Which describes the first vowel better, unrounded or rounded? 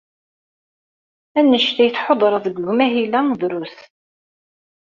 unrounded